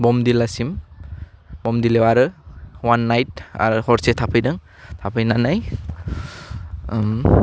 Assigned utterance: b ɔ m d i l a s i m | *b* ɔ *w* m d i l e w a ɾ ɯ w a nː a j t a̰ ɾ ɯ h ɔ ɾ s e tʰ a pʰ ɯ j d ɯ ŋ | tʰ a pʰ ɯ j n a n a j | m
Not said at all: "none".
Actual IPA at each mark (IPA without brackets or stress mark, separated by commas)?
b, none